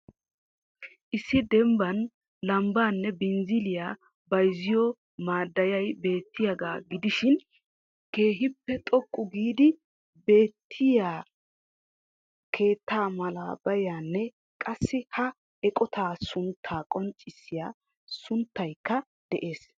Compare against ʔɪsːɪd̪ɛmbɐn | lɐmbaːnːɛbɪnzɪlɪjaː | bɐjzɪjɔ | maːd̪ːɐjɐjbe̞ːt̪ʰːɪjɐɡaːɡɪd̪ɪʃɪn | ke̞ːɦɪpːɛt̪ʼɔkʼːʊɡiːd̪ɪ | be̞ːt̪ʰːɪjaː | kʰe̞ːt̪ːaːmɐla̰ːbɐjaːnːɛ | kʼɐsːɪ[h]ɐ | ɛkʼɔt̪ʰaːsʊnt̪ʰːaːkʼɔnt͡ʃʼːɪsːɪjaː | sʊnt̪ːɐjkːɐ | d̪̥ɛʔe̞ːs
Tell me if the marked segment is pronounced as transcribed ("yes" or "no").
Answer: yes